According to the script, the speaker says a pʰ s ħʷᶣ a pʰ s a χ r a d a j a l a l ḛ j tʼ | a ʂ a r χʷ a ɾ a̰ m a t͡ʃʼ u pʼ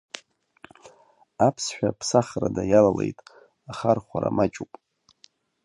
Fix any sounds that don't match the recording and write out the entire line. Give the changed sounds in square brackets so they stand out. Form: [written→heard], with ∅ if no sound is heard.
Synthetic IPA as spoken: a pʰ s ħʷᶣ a pʰ s a χ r a d a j a l a l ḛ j tʼ | a [ʂ→χ] a r χʷ a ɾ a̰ m a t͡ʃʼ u pʼ